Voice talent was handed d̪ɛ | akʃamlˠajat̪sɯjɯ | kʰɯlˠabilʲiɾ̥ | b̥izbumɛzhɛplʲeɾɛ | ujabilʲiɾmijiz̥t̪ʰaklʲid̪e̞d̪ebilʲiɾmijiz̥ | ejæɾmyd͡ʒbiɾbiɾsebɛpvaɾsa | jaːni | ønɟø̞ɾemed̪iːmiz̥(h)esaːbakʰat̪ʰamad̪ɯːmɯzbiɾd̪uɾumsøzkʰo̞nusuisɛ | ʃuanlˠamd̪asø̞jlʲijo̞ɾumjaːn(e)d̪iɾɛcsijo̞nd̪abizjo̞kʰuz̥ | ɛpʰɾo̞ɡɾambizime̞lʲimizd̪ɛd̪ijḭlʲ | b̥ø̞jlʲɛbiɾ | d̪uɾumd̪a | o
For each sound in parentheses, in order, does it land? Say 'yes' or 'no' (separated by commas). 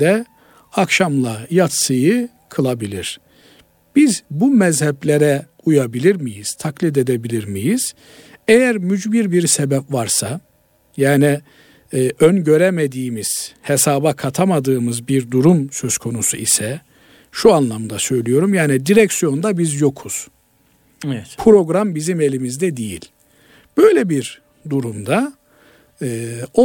yes, no